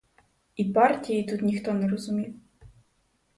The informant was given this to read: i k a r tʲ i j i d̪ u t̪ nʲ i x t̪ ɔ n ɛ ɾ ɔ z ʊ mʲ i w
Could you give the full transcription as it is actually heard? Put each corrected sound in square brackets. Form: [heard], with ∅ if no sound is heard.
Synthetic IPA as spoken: i [p] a r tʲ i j i [t̪] u t̪ nʲ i x t̪ ɔ n ɛ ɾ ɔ z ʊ mʲ i w